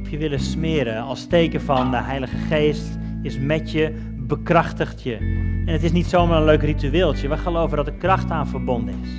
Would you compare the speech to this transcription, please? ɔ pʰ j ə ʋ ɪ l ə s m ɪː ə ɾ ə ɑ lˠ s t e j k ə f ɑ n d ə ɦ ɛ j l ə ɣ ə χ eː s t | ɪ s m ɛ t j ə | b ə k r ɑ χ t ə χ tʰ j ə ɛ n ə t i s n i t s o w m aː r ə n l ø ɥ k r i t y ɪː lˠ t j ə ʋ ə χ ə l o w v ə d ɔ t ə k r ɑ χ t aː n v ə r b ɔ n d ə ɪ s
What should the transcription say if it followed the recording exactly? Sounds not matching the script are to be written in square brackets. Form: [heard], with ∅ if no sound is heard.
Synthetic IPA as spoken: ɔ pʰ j ə ʋ ɪ l ə s m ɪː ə ɾ ə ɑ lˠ s t e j k ə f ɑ n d ə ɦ ɛ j l ə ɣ ə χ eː s t | ɪ s m ɛ t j ə | b ə k r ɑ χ t ə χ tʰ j ə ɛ n ə t [ɪ] s n i t s o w m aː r ə n l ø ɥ k r i t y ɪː lˠ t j ə ʋ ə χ ə l o w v ə d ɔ t ə k r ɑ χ t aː n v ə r b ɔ n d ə ɪ s